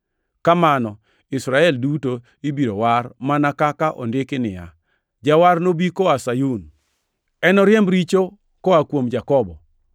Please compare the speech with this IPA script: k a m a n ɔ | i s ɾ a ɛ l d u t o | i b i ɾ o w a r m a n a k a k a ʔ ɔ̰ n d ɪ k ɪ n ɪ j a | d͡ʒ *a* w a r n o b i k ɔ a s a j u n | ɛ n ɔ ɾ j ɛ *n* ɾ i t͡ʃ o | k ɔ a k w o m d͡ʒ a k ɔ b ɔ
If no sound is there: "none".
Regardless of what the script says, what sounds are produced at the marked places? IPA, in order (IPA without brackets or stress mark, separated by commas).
a, m